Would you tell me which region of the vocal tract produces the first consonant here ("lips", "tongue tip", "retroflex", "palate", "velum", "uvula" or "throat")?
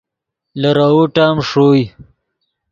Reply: tongue tip